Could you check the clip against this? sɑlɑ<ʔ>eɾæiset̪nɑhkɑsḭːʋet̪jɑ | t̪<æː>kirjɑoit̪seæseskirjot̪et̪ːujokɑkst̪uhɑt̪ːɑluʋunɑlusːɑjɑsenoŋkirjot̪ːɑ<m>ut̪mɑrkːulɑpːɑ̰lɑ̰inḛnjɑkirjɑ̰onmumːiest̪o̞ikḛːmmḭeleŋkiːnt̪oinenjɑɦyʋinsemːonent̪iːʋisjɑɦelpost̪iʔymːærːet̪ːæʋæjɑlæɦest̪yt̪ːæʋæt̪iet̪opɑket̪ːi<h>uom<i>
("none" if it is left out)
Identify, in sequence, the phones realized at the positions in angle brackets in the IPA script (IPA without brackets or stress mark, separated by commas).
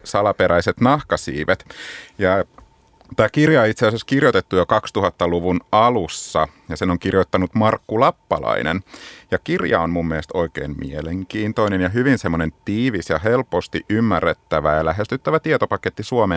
p, æː, n, s, e